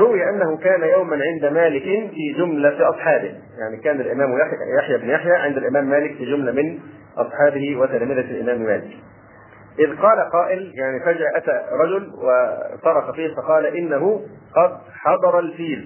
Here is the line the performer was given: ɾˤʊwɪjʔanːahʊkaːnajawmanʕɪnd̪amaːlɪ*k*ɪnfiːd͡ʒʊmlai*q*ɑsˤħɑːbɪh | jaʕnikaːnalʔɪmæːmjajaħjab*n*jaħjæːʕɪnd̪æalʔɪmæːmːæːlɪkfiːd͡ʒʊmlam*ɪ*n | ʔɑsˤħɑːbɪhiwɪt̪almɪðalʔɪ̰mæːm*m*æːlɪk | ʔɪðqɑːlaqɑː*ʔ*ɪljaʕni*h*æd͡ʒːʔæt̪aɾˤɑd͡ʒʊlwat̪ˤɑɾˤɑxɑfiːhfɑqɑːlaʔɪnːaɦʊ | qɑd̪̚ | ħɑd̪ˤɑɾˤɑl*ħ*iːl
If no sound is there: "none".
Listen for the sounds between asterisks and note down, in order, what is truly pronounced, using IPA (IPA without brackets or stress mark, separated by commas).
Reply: k, ʔ, n, ɪ, m, ʔ, f, f